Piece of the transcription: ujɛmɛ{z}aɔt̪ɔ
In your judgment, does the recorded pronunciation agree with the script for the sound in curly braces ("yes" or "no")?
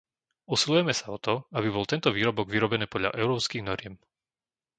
no